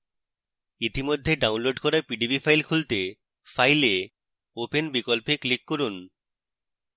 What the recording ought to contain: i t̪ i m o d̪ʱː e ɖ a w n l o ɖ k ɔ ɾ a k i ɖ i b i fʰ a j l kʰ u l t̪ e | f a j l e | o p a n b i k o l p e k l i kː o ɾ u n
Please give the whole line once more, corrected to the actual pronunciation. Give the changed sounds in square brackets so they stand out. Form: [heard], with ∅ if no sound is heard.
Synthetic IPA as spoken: i t̪ i m o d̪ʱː e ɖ a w n l o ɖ k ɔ ɾ a [p] i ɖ i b i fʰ a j l kʰ u l t̪ e | f a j l e | o p [e] n b i k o l p e k l i kː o ɾ u n